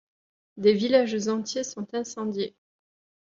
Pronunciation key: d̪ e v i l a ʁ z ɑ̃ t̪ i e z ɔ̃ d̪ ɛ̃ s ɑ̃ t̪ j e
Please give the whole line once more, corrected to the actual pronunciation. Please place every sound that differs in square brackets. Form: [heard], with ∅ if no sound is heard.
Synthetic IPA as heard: d̪ e v i l a [ʒ] z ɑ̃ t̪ [j] e [s] ɔ̃ [t̪] ɛ̃ s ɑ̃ [d̪] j e